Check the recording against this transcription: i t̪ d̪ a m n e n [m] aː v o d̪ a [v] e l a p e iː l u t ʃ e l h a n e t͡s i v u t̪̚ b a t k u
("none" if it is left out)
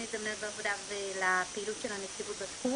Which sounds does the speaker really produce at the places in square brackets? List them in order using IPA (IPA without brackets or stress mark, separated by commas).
b, v